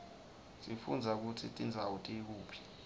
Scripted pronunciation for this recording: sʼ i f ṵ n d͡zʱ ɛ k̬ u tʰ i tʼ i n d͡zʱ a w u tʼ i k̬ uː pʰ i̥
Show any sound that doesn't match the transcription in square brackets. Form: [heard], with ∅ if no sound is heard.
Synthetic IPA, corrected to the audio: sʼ i f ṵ n d͡zʱ [a] k̬ u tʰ i tʼ i n d͡zʱ a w u tʼ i k̬ uː pʰ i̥